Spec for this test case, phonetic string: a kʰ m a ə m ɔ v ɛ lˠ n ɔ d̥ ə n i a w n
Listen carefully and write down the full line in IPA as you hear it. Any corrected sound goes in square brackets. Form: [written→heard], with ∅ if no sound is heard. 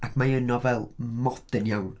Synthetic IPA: a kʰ m a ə [m→n] ɔ v ɛ lˠ [n→m] ɔ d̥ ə n [i→j] a w n